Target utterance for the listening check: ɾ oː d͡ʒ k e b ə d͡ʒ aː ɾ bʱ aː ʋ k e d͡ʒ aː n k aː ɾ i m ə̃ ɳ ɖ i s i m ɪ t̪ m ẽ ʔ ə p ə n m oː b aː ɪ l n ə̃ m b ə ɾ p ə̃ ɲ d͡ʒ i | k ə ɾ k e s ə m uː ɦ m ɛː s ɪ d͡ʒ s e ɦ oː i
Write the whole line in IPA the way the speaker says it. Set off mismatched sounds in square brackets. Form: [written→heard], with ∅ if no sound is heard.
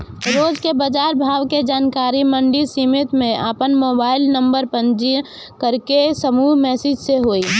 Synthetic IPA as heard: ɾ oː d͡ʒ k e b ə d͡ʒ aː ɾ bʱ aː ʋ k e d͡ʒ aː n k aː ɾ i m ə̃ ɳ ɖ i s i m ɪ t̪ m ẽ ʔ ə p ə n m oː b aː ɪ l n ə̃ m b ə ɾ p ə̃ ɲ d͡ʒ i | k ə ɾ k e s ə m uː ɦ m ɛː s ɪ d͡ʒ s e ɦ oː i